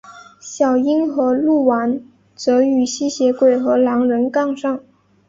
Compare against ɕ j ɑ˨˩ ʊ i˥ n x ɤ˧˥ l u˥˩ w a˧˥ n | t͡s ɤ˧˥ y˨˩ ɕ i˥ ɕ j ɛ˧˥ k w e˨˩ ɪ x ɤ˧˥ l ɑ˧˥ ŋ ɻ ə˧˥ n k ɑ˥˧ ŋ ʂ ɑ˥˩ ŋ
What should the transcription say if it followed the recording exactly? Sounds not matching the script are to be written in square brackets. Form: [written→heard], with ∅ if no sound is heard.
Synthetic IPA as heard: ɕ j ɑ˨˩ ʊ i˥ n x ɤ˧˥ l u˥˩ w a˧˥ n | t͡s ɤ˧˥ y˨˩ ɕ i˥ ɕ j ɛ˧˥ k w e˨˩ ɪ x ɤ˧˥ l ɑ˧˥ ŋ ɻ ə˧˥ n k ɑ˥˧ ŋ ʂ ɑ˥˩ ŋ